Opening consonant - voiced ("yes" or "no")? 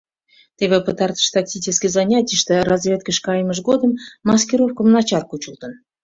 no